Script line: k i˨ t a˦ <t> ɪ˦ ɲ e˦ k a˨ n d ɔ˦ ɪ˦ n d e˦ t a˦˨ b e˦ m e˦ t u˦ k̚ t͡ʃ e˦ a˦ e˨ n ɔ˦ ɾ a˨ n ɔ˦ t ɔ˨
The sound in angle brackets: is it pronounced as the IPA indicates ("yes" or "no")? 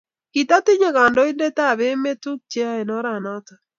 yes